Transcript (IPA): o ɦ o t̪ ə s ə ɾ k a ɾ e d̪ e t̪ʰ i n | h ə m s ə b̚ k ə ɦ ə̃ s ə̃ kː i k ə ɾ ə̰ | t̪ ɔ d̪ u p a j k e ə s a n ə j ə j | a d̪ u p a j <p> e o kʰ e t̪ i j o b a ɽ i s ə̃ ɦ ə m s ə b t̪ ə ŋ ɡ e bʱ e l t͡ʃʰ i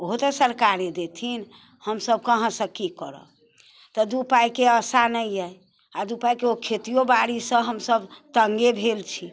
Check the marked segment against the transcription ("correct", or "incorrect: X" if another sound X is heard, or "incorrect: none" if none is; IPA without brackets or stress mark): incorrect: k